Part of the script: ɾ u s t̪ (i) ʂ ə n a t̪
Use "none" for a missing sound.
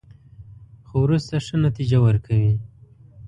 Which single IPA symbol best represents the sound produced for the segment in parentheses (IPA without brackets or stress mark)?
a